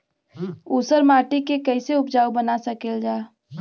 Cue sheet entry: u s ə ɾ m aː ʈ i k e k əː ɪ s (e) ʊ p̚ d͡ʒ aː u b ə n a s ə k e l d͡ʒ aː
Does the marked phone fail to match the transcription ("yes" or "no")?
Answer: no